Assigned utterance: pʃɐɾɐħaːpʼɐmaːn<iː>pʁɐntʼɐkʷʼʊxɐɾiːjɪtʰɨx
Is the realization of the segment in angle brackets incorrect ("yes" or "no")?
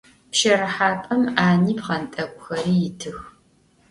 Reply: no